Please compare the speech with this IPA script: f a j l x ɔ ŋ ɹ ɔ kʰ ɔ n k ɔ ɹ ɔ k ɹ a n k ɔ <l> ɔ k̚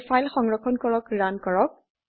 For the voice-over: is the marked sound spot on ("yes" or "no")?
no